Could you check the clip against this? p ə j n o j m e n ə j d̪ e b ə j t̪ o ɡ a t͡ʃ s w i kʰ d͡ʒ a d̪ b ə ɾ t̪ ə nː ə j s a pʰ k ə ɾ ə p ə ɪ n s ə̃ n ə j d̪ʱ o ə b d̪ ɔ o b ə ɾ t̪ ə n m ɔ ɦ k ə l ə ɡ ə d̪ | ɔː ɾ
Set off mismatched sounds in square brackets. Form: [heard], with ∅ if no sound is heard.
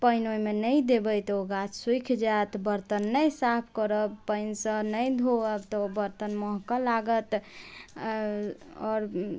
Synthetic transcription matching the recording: p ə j n o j m e n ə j d̪ e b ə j t̪ o ɡ a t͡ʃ s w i kʰ d͡ʒ a [t̪] b ə ɾ t̪ ə nː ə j s a pʰ k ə ɾ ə p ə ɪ n s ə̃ n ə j d̪ʱ o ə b [t̪] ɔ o b ə ɾ t̪ ə n m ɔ ɦ k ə l [a] ɡ ə [t̪] | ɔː ɾ